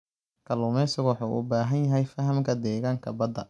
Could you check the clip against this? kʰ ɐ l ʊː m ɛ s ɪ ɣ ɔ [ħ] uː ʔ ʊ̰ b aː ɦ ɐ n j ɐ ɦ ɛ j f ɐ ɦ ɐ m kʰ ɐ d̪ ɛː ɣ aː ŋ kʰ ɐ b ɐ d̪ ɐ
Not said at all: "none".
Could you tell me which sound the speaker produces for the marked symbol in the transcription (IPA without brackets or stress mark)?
ħ